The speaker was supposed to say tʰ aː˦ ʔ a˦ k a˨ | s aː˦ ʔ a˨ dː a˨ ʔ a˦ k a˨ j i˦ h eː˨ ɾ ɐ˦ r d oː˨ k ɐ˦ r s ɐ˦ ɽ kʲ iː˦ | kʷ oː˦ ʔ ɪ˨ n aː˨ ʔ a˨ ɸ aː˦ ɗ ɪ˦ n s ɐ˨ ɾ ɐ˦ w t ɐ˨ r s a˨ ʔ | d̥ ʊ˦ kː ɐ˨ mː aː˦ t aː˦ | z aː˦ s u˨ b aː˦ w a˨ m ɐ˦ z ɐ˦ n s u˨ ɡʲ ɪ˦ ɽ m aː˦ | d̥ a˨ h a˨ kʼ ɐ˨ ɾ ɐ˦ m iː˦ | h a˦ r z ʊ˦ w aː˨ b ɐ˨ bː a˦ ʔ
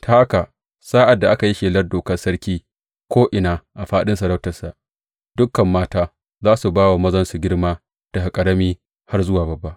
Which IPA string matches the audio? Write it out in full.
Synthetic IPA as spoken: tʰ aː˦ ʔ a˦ k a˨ | s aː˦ ʔ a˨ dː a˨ ʔ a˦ k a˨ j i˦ ʃ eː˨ l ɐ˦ r d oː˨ k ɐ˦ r s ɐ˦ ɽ kʲ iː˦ | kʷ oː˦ ʔ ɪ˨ n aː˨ ʔ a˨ ɸ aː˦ ɗ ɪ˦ n s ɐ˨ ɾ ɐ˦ w t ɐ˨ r s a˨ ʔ | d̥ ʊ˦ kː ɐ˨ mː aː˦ t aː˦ | z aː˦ s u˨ b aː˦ w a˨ m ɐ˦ z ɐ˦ n s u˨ ɡʲ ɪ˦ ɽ m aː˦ | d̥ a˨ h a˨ kʼ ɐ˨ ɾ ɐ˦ m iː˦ | h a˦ r z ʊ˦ w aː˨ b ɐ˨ bː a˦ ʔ